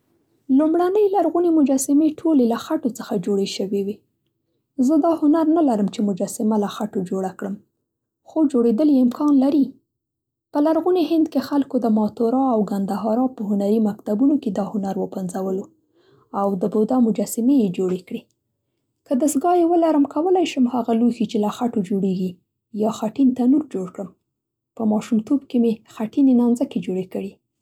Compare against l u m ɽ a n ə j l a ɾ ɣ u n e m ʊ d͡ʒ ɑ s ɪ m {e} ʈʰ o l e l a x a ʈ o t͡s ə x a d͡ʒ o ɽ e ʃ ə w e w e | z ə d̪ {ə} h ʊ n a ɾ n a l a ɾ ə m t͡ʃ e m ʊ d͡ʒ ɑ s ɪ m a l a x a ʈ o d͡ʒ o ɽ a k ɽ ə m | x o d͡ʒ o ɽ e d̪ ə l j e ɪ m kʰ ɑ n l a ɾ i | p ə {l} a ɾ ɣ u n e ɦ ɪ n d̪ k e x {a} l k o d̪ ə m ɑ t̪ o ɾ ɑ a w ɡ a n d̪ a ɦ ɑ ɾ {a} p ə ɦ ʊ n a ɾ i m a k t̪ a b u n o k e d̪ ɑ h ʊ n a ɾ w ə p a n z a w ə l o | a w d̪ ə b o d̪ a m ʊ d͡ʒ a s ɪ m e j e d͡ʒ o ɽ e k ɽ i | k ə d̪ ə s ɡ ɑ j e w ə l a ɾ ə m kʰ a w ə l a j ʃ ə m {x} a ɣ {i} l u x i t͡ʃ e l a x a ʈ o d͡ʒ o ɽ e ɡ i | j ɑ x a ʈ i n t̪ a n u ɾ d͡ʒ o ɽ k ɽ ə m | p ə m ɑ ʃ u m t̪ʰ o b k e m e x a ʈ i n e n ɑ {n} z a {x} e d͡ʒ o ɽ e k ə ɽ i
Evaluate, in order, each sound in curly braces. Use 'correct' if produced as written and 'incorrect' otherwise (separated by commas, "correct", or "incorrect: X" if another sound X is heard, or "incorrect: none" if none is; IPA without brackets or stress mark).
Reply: correct, incorrect: ɑ, correct, correct, incorrect: ɑ, incorrect: h, incorrect: a, correct, incorrect: k